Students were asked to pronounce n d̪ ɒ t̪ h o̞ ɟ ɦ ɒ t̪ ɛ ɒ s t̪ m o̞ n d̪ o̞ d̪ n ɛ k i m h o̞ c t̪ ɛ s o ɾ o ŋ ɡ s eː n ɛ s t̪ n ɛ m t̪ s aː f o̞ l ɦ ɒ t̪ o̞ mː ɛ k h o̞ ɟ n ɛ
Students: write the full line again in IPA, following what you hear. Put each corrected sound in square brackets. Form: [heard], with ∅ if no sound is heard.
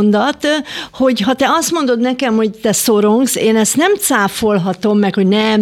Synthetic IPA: n d̪ ɒ t̪ h o̞ ɟ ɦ ɒ t̪ ɛ ɒ s t̪ m o̞ n d̪ o̞ d̪ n ɛ k [ɛ] m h o̞ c t̪ ɛ s o ɾ o ŋ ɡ s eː n ɛ s t̪ n ɛ m t̪ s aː f o̞ l ɦ ɒ t̪ o̞ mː ɛ k h o̞ ɟ n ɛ